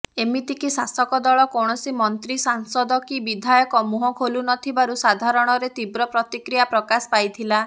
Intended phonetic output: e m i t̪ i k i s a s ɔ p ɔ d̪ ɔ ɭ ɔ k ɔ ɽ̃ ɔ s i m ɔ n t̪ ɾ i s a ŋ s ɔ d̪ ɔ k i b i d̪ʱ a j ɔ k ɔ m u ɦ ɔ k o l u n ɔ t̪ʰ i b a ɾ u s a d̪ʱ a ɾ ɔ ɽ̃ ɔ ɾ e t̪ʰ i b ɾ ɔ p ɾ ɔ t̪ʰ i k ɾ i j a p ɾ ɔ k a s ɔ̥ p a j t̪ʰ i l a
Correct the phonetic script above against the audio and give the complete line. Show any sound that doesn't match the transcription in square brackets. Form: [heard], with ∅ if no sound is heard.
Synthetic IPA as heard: e m i t̪ i k i s a s ɔ [k] ɔ d̪ ɔ ɭ ɔ k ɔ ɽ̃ ɔ s i m ɔ n t̪ ɾ i s a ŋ s ɔ d̪ ɔ k i b i d̪ʱ a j ɔ k ɔ m u ɦ ɔ [kʰ] o l u n ɔ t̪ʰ i b a ɾ u s a d̪ʱ a ɾ ɔ ɽ̃ ɔ ɾ e [t̪] i b ɾ ɔ p ɾ ɔ [t̪] i k ɾ i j a p ɾ ɔ k a s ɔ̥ p a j t̪ʰ i l a